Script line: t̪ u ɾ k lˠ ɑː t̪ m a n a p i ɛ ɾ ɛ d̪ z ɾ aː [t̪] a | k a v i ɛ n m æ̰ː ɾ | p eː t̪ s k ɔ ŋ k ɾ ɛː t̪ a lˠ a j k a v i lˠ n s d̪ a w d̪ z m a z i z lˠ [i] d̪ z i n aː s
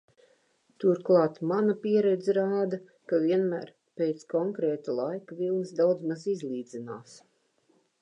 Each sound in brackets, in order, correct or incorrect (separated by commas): incorrect, incorrect